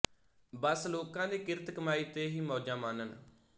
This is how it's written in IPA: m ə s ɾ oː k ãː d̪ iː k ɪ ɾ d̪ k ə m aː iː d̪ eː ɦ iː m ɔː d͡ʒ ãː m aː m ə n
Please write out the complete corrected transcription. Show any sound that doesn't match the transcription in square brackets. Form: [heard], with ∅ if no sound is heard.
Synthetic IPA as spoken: [b] ə s [l] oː k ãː d̪ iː k ɪ ɾ [t̪] k ə m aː iː [t̪] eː ɦ iː m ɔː d͡ʒ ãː m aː [n] ə n